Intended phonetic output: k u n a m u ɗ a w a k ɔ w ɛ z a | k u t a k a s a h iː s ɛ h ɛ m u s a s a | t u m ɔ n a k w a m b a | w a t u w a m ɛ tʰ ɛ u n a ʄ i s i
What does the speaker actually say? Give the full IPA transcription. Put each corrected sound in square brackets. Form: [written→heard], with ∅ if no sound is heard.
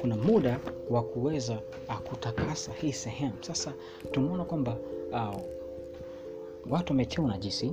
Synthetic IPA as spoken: k u n a m u ɗ a w a k [ɔ→u] w ɛ z a | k u t a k a s a h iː s ɛ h ɛ m u s a s a | t u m ɔ n a k w a m b a | w a t u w a m ɛ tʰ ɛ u n a ʄ i s i